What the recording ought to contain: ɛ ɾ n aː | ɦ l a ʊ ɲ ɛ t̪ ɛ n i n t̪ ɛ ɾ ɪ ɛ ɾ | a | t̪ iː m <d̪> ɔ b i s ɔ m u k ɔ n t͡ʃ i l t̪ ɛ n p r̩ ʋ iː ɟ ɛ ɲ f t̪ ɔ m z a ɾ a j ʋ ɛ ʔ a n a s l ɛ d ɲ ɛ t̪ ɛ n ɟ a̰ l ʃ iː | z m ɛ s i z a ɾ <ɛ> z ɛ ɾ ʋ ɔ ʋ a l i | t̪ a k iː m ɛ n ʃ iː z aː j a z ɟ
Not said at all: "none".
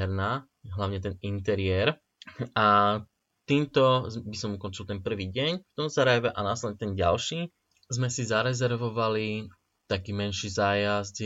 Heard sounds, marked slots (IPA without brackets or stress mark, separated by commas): t̪, ɛ